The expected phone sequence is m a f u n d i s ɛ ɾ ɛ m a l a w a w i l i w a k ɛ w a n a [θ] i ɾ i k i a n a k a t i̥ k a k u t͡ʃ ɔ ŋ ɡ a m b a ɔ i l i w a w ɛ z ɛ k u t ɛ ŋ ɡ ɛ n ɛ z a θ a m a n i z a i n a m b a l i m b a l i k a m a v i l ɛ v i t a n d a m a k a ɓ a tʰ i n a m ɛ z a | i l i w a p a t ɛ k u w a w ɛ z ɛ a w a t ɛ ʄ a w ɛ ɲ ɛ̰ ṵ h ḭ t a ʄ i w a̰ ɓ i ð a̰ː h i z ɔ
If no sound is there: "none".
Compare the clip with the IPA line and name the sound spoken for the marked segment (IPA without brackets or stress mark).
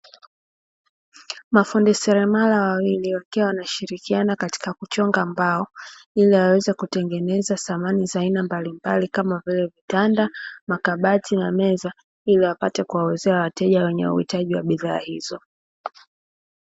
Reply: ʃ